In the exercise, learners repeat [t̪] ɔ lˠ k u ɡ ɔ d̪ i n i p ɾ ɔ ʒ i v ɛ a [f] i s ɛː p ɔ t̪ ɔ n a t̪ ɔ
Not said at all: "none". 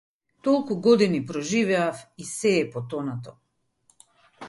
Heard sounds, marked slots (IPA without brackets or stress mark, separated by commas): t̪, f